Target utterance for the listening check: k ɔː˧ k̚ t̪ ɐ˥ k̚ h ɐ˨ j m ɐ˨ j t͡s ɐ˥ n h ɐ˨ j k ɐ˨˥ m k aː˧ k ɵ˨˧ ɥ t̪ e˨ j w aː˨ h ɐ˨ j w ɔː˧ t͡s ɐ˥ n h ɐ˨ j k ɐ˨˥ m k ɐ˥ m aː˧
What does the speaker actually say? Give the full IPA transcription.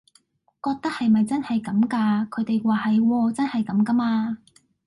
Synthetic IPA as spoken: k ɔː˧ k̚ t̪ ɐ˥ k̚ h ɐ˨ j m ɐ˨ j t͡s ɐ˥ n h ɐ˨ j k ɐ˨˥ m k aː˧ kʰ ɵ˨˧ ɥ t̪ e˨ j w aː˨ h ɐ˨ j w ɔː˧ t͡s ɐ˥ n h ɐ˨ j k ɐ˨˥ m k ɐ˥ m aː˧